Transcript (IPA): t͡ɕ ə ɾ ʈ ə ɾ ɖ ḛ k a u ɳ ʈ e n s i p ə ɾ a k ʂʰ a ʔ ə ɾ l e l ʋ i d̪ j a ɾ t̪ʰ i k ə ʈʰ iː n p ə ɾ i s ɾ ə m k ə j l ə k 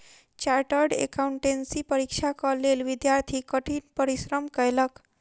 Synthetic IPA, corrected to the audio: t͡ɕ a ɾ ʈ ə ɾ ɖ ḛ k a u ɳ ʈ e n s i p ə ɾ i k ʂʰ a k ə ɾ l e l ʋ i d̪ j a ɾ t̪ʰ i k ə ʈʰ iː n p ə ɾ i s ɾ ə m k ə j l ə k